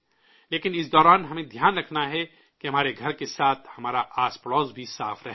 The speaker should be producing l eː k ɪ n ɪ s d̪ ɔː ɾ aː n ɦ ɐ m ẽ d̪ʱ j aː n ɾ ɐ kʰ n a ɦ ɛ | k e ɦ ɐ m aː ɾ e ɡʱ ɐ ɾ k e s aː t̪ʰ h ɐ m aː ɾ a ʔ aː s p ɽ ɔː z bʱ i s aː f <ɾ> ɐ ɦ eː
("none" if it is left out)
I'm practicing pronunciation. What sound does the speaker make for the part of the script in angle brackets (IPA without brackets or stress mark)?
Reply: ɾ